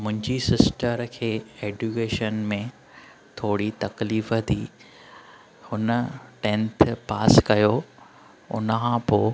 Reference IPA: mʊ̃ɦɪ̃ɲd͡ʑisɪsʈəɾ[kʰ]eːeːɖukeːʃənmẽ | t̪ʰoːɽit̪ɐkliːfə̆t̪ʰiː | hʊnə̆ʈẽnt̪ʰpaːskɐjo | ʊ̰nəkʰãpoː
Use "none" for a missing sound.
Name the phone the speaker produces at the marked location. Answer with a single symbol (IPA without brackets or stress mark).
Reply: kʰ